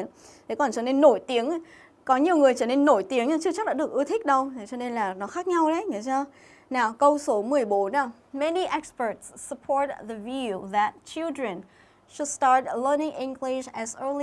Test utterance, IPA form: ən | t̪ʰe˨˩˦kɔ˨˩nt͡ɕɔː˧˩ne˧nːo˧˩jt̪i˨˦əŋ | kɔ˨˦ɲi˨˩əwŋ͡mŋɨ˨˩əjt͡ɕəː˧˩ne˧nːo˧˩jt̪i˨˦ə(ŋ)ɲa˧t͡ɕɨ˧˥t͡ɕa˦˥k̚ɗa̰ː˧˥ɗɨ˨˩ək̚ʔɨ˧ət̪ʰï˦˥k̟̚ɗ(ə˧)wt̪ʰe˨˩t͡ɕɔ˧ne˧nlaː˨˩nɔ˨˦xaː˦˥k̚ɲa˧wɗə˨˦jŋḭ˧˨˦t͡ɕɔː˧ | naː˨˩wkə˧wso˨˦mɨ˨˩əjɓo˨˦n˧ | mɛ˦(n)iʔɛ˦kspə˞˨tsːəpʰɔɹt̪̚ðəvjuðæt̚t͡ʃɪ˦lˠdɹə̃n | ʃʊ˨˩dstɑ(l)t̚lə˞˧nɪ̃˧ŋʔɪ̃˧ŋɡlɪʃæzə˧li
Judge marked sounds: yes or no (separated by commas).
yes, yes, yes, no